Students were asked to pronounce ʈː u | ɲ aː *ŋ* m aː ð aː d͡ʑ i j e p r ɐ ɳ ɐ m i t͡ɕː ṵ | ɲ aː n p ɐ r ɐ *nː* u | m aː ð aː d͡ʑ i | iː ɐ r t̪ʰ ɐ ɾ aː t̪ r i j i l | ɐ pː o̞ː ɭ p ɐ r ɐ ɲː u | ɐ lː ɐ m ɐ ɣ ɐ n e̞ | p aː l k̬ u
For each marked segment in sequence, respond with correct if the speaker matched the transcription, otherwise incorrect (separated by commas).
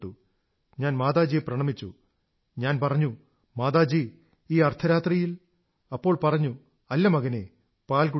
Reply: incorrect, incorrect